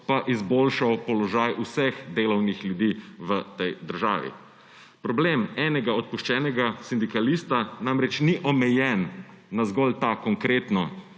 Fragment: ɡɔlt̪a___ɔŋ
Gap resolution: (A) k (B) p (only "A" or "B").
A